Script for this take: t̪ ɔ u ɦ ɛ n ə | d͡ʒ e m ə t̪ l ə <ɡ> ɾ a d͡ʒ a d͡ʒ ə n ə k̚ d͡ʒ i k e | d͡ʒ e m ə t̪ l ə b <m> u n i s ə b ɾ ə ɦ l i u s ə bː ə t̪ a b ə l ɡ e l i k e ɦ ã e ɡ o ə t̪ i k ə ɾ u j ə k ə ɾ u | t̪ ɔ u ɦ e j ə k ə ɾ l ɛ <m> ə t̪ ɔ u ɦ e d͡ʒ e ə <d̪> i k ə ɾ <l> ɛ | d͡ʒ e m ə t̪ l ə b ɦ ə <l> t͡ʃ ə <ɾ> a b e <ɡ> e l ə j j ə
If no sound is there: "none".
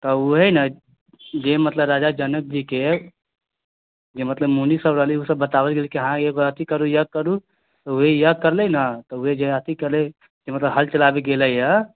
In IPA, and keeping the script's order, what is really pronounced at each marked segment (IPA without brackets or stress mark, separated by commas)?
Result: b, m, n, t̪, l, l, l, ɡ